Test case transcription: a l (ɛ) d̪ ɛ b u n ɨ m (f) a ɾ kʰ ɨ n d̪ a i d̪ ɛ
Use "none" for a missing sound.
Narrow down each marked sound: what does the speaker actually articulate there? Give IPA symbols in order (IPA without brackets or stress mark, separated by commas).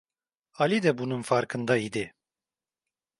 i, f